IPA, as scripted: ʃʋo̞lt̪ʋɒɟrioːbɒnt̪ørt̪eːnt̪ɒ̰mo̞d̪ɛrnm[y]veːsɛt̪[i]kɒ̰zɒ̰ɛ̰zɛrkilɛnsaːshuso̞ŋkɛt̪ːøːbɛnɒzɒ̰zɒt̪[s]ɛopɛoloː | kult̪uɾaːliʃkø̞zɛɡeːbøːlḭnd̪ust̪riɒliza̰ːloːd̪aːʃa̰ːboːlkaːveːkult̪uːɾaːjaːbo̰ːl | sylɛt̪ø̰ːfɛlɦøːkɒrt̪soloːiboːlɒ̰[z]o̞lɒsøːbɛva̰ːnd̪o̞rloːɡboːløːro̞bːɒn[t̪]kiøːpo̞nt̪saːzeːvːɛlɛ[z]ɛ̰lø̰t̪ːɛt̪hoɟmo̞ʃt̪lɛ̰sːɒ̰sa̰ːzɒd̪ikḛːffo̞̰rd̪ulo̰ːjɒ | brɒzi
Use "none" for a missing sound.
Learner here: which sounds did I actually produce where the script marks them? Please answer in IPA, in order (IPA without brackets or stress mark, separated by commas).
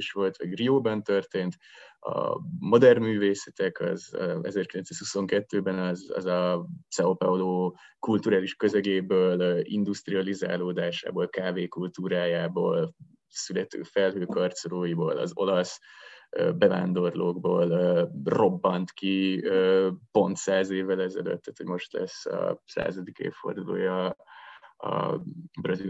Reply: yː, ɛ, s, z, t̪, z